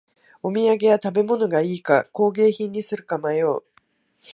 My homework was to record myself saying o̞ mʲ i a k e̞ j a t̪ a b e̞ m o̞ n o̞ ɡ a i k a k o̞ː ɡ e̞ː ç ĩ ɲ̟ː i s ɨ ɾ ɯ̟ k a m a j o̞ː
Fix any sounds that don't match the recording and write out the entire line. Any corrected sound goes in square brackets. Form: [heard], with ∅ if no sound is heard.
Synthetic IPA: o̞ mʲ i a [ɡ] e̞ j a t̪ a b e̞ m o̞ n o̞ ɡ a [iː] k a k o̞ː ɡ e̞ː ç ĩ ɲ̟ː i s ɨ ɾ ɯ̟ k a m a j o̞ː